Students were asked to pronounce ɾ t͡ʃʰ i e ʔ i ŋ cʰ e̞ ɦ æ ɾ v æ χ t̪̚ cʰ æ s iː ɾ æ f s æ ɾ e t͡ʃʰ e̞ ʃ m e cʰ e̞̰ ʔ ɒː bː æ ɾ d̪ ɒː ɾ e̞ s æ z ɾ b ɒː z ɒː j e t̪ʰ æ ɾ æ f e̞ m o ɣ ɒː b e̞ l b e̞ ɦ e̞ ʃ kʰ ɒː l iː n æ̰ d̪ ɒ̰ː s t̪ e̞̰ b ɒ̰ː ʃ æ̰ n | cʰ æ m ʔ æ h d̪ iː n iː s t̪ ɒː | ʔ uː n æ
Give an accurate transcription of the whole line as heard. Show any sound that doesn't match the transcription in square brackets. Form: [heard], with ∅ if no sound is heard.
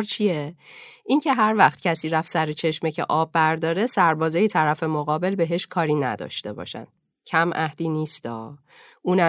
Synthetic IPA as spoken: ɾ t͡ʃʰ i e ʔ i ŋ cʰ e̞ ɦ æ ɾ v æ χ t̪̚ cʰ æ s iː ɾ æ f s æ ɾ e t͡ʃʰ e̞ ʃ m e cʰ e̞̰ ʔ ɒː bː æ ɾ d̪ ɒː ɾ e̞ s æ [∅] ɾ b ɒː z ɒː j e t̪ʰ æ ɾ æ f e̞ m o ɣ ɒː b e̞ l b e̞ ɦ e̞ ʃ kʰ ɒː [ɾ] iː n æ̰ d̪ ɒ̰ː [ʃ] t̪ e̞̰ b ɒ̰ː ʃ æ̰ n | cʰ æ m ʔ æ h d̪ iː n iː s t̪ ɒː | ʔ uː n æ